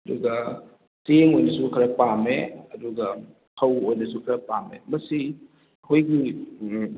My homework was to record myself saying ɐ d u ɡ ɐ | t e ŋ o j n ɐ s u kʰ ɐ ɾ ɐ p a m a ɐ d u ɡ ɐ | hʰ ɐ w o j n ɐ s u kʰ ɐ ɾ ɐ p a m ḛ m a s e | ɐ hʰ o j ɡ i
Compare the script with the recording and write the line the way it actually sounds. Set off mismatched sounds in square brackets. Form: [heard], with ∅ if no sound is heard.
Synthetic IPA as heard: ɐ d u ɡ ɐ | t e ŋ o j n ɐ s u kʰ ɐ ɾ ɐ p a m [e] ɐ d u ɡ ɐ | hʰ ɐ w o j n ɐ s u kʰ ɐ ɾ ɐ p a m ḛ m [ɐ] s [i] | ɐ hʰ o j ɡ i